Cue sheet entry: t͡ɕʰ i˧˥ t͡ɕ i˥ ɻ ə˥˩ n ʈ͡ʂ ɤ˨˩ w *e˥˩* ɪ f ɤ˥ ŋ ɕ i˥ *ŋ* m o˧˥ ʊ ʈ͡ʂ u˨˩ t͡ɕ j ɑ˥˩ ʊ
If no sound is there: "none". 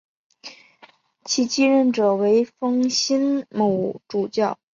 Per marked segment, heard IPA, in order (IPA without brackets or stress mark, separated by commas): e˧˥, n